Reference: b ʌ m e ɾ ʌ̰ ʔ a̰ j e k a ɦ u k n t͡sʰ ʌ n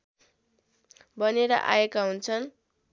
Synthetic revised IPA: b ʌ n e ɾ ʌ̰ ʔ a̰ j e k a ɦ u n t͡sʰ ʌ n